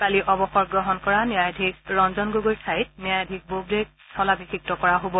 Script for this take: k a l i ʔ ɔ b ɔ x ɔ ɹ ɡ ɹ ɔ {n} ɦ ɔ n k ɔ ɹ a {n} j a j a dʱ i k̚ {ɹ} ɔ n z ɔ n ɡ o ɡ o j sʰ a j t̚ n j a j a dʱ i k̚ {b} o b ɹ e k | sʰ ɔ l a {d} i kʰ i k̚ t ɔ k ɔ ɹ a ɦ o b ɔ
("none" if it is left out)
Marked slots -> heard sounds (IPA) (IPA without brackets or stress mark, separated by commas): none, n, ɹ, b, b